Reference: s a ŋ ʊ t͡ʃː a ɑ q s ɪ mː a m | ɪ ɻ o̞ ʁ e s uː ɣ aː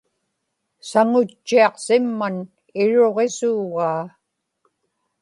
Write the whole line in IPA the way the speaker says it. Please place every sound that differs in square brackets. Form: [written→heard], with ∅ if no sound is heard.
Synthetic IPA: s a ŋ ʊ t͡ʃː [a→i] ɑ q s ɪ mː a [m→n] | ɪ ɻ o̞ ʁ e s uː ɣ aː